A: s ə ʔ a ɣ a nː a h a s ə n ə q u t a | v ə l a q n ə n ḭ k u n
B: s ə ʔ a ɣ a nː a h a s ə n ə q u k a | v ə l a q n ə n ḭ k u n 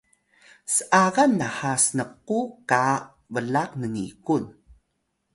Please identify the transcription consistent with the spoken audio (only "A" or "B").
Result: B